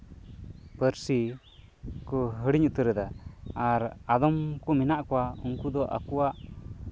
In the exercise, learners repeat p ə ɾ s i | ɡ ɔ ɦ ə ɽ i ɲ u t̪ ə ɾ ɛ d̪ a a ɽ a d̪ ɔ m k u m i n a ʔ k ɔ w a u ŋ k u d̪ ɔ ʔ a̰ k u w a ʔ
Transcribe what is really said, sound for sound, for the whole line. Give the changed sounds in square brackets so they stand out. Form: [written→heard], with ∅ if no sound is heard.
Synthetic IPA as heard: p ə ɾ s i | [ɡ→k] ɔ ɦ ə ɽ i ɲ u t̪ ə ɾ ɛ d̪ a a [ɽ→ɾ] a d̪ ɔ m k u m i n a ʔ k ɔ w a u ŋ k u d̪ ɔ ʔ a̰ k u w a ʔ